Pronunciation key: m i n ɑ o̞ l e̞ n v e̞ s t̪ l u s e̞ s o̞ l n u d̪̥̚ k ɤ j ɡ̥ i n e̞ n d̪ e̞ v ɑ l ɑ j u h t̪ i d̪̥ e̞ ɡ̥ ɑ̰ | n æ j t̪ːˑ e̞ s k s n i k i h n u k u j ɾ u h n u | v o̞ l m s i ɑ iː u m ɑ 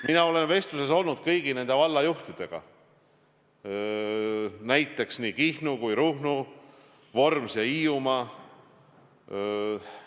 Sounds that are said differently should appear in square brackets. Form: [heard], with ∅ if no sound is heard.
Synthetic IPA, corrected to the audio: m i n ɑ o̞ l e̞ n v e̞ s t̪ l u s e̞ s o̞ l n u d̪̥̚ k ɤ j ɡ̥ i n e̞ n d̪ e̞ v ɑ [lː] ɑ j u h t̪ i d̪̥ e̞ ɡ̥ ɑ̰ | n æ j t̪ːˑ e̞ [∅] k s n i k i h n u k u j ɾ u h n u | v o̞ [r] m s [j] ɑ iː u m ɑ